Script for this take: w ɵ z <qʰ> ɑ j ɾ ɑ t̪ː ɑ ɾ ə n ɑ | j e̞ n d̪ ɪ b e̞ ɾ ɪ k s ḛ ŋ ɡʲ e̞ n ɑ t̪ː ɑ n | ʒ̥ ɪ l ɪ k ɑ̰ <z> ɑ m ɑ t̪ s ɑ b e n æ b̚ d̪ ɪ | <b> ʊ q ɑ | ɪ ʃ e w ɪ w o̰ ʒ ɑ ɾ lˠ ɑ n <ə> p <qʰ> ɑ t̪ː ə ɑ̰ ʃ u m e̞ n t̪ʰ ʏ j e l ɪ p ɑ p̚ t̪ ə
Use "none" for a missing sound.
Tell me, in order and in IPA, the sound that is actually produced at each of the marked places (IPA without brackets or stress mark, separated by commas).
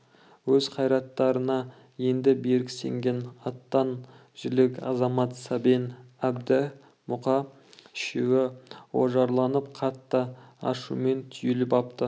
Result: qʰ, z, m, ə, qʰ